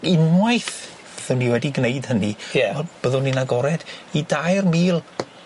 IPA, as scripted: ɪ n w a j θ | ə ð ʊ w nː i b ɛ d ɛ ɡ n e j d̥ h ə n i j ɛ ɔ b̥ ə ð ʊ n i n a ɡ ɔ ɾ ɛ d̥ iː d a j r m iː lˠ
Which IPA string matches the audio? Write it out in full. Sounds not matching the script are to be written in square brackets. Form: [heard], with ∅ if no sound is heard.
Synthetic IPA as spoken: ɪ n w a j θ | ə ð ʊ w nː i [w] ɛ d [i] ɡ n e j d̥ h ə n i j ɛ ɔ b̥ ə ð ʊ n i n a ɡ ɔ ɾ ɛ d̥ [i] d a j r m iː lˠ